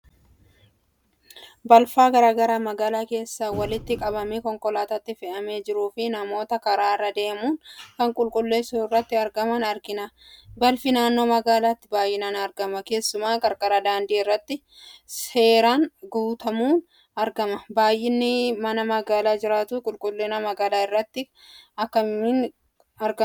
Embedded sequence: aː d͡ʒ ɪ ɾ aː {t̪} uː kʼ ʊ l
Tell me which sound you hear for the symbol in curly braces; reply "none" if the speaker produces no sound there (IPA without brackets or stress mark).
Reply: t̪